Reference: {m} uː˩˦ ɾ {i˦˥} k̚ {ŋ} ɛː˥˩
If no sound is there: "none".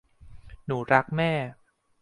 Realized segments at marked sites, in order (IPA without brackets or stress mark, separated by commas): n, a˦˥, m